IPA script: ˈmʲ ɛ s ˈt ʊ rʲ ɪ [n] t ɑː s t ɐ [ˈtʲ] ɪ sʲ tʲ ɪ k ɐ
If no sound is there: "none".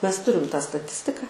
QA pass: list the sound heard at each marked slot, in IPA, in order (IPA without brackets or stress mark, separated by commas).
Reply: m, tʲ